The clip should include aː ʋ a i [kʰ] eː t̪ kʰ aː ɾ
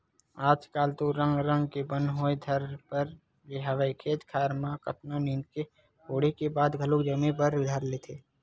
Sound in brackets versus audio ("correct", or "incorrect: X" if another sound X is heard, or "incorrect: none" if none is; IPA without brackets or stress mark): correct